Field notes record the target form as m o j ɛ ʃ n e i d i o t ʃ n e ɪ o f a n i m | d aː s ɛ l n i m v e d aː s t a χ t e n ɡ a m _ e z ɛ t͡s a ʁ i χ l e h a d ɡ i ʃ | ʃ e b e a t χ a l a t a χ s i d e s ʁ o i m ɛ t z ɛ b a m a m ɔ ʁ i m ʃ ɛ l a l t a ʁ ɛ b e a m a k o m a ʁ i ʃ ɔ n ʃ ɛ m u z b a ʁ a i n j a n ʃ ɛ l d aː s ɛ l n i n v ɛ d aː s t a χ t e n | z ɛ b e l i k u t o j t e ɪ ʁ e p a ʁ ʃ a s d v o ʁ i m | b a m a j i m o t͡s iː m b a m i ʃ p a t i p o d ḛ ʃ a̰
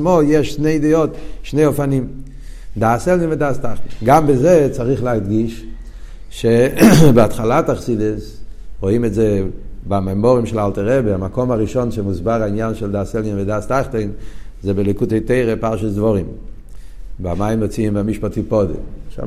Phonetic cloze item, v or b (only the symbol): b